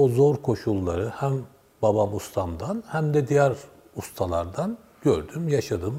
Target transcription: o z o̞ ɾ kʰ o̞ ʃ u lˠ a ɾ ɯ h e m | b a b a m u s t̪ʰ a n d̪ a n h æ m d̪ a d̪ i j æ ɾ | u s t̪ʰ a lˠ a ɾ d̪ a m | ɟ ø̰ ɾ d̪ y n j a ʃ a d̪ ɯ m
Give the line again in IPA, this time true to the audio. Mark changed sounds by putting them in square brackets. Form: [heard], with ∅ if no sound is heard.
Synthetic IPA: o z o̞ ɾ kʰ o̞ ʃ u [lˠː] a ɾ ɯ h [æ] m | b a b a m u s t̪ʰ a [m] d̪ a n h æ m d̪ [ɛ] d̪ i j æ ɾ | u s t̪ʰ a lˠ a ɾ d̪ a [n] | ɟ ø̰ ɾ d̪ y [m] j a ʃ a d̪ ɯ m